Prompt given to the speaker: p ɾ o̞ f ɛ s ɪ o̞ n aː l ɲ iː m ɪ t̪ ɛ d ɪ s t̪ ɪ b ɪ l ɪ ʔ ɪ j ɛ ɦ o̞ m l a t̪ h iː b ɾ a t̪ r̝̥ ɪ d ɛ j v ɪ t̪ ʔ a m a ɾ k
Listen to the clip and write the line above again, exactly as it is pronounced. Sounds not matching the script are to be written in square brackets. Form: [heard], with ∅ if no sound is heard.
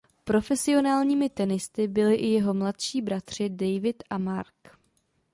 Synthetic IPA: p ɾ o̞ f ɛ s ɪ o̞ n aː l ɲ iː m ɪ t̪ ɛ [n] ɪ s t̪ ɪ b ɪ l ɪ ʔ ɪ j ɛ ɦ o̞ m l a t̪ [ʃ] iː b ɾ a t̪ r̝̥ ɪ d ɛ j v ɪ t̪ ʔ a m a ɾ k